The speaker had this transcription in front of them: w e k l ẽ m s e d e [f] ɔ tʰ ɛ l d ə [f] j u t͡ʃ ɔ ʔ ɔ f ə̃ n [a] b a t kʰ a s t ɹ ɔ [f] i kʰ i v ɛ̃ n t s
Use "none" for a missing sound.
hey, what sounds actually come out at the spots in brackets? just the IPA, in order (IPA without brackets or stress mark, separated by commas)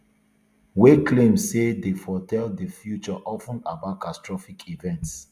f, f, a, f